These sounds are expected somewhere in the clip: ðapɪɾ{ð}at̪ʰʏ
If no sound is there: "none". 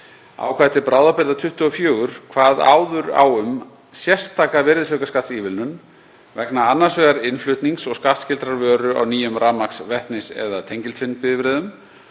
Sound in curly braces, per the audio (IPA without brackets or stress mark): ð